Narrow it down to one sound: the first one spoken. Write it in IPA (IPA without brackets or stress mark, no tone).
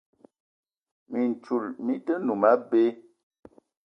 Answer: m